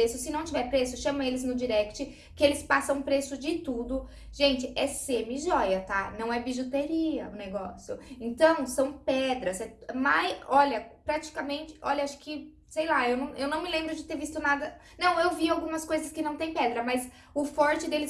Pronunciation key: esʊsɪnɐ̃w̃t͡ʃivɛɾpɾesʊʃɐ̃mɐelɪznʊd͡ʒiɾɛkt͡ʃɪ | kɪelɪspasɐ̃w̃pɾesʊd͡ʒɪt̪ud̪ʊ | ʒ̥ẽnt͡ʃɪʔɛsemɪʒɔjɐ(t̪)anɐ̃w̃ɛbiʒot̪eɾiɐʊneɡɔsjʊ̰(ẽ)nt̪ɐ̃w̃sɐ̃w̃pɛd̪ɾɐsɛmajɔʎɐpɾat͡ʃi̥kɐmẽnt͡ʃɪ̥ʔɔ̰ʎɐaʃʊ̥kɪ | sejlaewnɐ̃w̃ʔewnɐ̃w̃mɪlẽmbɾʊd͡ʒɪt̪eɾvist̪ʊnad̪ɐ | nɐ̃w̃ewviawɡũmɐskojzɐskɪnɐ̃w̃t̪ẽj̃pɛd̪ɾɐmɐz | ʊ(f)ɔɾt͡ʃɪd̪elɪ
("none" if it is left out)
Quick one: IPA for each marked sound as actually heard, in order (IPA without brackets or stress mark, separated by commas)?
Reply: t̪, ẽ, f